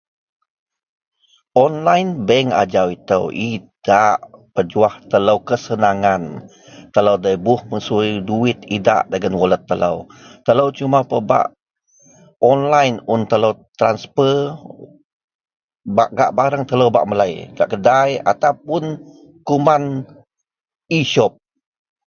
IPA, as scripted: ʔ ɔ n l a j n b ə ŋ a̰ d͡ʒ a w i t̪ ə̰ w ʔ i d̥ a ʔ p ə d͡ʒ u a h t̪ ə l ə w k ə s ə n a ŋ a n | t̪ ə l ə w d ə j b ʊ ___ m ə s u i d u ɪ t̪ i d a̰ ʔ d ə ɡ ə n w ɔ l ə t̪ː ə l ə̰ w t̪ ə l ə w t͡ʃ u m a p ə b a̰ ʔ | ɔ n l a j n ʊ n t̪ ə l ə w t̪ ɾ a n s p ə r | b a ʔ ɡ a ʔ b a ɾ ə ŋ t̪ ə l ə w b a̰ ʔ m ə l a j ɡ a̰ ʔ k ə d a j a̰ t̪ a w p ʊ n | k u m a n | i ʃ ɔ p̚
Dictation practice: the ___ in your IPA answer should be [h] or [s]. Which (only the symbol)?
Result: h